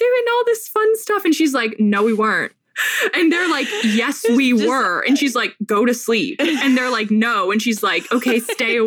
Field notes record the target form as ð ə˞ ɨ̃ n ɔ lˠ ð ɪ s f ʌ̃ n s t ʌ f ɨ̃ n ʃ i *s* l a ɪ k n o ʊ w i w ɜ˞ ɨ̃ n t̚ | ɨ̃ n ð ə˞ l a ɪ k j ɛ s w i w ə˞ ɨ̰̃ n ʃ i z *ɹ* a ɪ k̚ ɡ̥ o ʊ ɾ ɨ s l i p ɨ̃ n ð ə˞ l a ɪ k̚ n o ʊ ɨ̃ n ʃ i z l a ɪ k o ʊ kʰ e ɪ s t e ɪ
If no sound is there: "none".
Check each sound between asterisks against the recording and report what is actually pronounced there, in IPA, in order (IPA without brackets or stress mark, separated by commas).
z, l